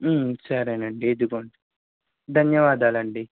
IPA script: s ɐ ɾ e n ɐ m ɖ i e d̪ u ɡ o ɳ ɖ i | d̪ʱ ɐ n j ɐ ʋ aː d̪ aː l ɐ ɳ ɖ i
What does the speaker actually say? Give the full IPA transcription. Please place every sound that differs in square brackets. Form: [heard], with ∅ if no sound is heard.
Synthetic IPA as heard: s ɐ ɾ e n ɐ [ɳ] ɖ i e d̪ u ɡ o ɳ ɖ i | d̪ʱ ɐ n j ɐ ʋ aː d̪ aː l ɐ ɳ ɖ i